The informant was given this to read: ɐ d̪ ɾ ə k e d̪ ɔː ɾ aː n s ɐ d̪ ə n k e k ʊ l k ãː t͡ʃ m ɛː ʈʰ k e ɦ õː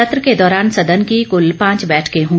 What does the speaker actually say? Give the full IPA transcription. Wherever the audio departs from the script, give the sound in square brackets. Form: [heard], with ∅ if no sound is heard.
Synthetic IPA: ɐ [t̪] ɾ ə k e d̪ ɔː ɾ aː n s ɐ d̪ ə n k [i] k ʊ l [p] ãː t͡ʃ [b] ɛː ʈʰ k e ɦ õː

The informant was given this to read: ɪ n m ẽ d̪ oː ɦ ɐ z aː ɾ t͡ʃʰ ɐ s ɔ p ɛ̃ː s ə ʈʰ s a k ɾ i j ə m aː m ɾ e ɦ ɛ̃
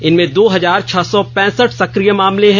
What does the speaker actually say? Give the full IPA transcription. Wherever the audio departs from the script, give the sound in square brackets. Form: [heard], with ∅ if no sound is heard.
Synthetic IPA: ɪ n m ẽ d̪ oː ɦ ɐ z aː ɾ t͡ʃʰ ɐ s ɔ p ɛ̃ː s ə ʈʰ s [ɐ] k ɾ i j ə m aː m [l] e ɦ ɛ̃

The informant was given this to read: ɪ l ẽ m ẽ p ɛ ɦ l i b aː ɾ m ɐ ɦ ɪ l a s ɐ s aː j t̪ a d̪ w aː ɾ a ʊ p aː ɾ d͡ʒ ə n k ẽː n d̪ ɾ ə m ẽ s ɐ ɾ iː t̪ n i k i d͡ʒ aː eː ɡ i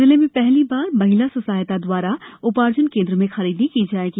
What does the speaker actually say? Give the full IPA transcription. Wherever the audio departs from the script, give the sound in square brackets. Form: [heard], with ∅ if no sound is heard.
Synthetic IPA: ɪ l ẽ m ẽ p ɛ ɦ l i b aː ɾ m ɐ ɦ ɪ l a s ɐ s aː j t̪ a d̪ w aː ɾ a ʊ p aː ɾ d͡ʒ ə n k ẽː n d̪ ɾ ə m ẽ [x] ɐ ɾ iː [d̪] n i k i d͡ʒ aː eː ɡ i

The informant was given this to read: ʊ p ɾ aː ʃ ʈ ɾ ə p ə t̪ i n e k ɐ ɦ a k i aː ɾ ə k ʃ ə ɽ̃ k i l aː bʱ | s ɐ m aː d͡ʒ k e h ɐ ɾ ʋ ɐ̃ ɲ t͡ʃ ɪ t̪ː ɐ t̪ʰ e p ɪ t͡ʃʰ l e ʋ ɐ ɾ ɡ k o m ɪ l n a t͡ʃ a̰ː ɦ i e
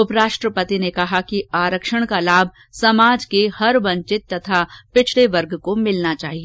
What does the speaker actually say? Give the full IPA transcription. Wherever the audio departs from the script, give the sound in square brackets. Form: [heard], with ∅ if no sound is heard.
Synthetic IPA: ʊ p ɾ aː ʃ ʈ ɾ ə p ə t̪ i n e k ɐ ɦ a k i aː ɾ ə k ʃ ə ɽ̃ k [a] l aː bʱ | s ɐ m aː d͡ʒ k e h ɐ ɾ ʋ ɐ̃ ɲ t͡ʃ ɪ t̪ː ɐ t̪ʰ [a] p ɪ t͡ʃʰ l e ʋ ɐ ɾ ɡ k o m ɪ l n a t͡ʃ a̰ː ɦ i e

